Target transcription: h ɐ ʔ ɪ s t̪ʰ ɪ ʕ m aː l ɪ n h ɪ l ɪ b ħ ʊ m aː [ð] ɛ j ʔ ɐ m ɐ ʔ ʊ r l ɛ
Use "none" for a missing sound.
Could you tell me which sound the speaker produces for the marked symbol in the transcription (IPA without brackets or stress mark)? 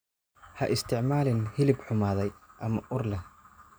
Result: ð